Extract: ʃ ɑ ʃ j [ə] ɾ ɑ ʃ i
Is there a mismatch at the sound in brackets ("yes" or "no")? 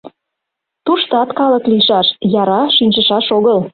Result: yes